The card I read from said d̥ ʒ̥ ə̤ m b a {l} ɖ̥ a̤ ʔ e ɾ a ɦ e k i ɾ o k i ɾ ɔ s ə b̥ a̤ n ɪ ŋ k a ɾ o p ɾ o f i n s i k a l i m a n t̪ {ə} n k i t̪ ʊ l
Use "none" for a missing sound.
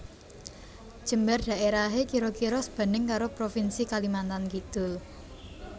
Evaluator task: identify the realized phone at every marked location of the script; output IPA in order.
r, a

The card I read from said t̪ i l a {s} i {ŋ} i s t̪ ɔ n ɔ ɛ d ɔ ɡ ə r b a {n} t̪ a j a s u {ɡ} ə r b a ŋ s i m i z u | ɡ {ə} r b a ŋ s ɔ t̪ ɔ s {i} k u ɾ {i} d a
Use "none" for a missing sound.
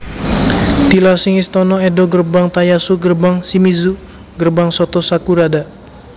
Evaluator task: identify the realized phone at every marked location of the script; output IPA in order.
s, ŋ, ŋ, ɡ, ə, a, a

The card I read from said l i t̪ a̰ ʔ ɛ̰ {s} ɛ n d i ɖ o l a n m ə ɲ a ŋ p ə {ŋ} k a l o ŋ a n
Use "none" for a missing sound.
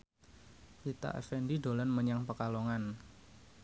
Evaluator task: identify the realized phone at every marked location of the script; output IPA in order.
f, none

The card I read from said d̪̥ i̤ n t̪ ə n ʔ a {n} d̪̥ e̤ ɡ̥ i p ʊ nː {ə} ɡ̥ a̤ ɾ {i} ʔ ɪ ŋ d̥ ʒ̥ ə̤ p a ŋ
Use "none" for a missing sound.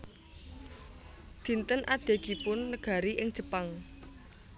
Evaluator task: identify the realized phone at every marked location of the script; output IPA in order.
none, ə, i

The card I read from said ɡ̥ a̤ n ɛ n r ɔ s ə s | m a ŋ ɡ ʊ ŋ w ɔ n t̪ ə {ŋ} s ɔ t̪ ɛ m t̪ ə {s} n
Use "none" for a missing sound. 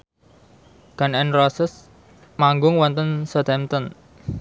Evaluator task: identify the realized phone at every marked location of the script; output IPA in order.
n, none

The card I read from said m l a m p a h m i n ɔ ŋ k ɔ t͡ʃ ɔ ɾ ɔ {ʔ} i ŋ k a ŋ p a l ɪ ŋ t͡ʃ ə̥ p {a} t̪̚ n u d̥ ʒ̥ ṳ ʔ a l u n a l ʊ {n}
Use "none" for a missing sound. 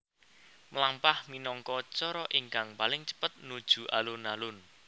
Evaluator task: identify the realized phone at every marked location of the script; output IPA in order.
ʔ, ə, n

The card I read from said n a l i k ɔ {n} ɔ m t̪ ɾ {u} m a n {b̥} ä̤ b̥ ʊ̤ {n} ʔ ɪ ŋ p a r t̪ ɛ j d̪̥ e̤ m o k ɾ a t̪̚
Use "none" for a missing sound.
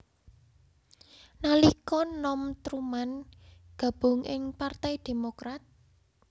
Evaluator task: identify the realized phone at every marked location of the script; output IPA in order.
n, u, ɡ̥, ŋ

